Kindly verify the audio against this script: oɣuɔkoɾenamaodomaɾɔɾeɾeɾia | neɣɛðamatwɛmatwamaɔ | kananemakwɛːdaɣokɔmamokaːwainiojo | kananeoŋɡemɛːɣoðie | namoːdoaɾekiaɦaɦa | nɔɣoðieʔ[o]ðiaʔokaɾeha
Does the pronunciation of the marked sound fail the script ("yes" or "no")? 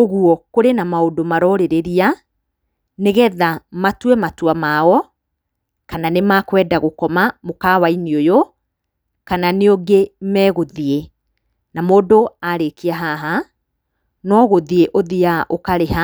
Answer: no